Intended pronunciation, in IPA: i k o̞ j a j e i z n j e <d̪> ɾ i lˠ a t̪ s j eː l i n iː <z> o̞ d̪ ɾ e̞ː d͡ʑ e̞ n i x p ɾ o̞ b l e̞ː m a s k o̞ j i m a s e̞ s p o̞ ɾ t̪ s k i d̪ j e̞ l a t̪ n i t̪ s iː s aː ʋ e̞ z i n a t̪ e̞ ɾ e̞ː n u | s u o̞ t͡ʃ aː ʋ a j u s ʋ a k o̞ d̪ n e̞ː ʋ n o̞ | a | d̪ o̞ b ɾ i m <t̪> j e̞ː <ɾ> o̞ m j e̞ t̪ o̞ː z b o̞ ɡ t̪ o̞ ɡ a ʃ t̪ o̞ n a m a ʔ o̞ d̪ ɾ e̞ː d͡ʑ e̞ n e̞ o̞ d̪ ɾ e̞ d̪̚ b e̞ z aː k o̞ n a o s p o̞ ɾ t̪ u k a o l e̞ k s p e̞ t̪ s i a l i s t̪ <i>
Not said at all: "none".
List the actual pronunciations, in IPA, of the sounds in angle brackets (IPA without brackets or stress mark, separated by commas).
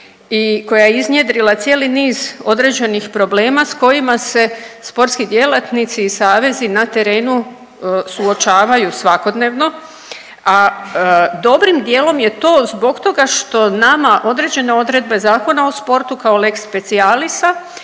d̪, z, d̪, l, a